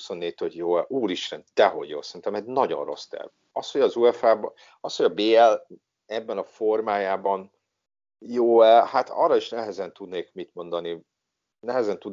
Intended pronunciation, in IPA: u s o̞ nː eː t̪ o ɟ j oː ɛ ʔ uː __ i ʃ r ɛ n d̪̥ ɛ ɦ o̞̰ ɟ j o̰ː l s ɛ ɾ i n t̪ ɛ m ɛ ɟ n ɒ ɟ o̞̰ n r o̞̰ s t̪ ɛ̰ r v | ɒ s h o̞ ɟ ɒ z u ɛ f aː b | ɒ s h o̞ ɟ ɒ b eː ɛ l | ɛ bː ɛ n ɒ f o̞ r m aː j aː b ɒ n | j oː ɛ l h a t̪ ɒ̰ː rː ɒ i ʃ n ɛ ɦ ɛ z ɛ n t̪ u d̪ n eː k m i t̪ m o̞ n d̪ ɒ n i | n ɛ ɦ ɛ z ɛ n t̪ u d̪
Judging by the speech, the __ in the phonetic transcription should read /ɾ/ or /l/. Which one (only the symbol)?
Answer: l